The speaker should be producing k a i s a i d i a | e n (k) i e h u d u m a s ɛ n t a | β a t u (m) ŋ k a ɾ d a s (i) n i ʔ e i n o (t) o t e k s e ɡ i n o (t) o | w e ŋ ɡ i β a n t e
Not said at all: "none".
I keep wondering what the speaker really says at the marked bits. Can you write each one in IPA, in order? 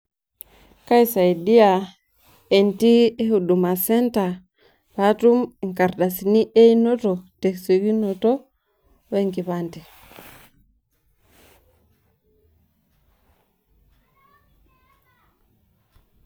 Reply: t, m, i, t, t

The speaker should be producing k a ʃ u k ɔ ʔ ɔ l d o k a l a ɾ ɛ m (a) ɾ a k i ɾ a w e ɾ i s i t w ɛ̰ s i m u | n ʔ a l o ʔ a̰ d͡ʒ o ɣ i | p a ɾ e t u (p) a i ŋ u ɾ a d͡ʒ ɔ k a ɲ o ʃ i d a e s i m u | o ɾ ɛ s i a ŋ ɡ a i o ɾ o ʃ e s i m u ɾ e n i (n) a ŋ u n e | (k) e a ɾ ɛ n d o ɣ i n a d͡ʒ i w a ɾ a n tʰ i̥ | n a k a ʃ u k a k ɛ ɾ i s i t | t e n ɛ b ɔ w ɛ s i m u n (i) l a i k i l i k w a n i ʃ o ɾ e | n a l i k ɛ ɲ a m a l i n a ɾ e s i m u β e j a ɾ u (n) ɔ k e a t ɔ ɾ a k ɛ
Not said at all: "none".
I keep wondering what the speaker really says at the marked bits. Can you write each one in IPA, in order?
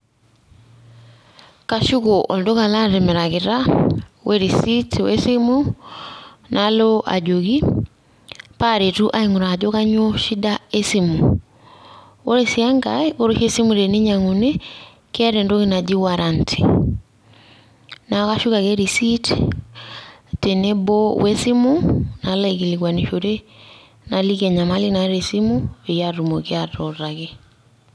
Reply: ɛ, ʔ, ɲ, k, a, m

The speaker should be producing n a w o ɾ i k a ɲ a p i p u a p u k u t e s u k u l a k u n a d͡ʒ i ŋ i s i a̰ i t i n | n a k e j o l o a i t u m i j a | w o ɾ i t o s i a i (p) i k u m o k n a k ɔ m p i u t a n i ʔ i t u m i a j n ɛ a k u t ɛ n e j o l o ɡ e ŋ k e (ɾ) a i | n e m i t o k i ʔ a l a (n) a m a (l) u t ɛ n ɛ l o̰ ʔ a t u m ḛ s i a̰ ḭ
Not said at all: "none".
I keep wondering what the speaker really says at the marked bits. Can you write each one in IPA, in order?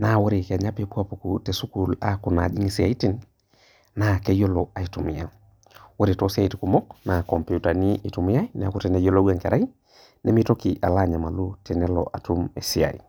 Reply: t, ɾ, ɲ, l

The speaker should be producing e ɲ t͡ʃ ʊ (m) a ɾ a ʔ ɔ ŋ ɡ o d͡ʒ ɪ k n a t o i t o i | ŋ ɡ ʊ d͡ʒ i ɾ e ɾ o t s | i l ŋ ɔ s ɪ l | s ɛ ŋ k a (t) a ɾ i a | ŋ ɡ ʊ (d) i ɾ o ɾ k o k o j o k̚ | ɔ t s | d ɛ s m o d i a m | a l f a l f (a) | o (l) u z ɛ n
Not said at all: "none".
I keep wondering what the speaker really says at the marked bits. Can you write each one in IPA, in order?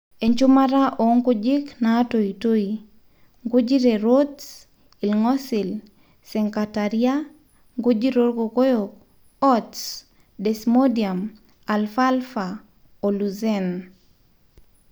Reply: m, t, d͡ʒ, a, l

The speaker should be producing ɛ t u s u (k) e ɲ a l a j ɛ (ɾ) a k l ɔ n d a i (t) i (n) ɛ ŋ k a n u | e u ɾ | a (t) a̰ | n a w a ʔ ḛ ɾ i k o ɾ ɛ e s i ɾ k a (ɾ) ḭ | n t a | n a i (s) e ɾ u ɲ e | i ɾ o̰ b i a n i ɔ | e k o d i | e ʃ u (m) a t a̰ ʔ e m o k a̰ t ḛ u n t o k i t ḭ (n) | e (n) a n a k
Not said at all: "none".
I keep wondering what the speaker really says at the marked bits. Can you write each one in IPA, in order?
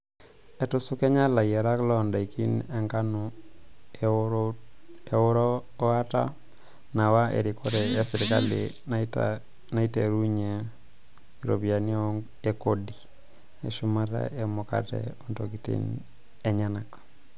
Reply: k, ɾ, k, n, t, l, t, m, n, ɲ

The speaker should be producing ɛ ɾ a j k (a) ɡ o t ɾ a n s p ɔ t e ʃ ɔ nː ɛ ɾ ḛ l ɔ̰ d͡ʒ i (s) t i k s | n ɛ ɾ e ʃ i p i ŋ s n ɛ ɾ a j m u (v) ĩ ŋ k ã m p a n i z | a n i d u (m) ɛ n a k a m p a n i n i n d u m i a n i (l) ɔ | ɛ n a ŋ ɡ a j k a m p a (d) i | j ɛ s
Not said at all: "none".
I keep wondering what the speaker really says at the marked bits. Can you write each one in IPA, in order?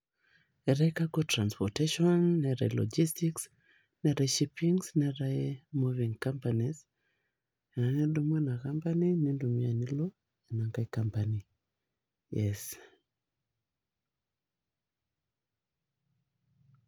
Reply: a, s, v, m, l, n

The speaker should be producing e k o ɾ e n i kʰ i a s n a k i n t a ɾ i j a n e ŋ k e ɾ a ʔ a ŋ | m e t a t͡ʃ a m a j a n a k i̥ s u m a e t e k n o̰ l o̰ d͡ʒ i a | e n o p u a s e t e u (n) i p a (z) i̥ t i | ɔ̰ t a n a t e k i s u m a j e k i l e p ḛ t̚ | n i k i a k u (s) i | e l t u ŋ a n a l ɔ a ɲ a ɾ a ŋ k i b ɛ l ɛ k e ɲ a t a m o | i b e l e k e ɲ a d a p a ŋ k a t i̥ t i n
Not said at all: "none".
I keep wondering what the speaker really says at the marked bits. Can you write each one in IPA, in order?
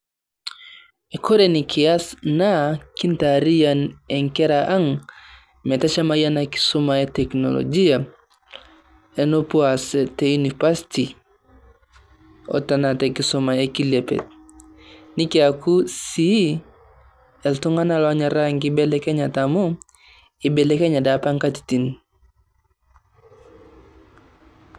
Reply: n, s, s

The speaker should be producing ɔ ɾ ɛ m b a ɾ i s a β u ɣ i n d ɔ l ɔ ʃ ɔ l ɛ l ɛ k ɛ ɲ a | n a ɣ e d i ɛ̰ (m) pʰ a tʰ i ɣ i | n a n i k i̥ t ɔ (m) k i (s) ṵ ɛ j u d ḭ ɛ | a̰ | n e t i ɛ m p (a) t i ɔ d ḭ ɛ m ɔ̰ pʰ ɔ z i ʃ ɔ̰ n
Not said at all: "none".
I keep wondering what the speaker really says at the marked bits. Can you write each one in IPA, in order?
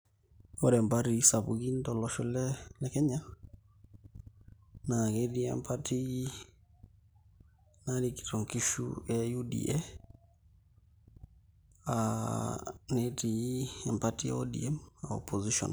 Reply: m, ŋ, ʃ, a

